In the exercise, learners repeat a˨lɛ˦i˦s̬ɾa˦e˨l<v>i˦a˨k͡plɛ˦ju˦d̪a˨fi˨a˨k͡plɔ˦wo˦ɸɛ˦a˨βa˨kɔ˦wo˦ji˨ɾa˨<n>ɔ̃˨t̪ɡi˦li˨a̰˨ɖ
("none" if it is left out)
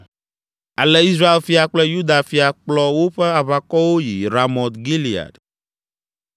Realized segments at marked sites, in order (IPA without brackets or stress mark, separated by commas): f, m